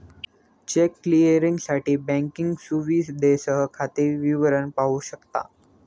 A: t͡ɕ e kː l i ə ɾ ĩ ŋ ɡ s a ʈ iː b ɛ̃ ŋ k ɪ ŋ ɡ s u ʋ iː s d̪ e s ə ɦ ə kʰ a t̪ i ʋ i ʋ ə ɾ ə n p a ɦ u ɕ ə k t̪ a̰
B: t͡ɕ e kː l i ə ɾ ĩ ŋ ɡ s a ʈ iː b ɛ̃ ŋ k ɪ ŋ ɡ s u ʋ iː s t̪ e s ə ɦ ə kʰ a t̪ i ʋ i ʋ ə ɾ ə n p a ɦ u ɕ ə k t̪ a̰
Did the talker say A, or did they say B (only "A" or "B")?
A